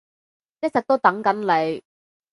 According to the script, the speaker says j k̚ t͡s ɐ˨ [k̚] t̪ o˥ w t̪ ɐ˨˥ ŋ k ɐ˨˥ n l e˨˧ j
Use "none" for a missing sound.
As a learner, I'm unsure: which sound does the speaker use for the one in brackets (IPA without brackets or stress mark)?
k̚